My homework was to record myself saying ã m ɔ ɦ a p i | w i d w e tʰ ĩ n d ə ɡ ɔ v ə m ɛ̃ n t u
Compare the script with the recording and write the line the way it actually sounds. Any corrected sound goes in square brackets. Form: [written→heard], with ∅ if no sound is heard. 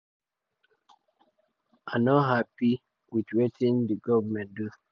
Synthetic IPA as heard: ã [m→n] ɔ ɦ a p i | w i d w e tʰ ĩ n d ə ɡ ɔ v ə m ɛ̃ n [t→d] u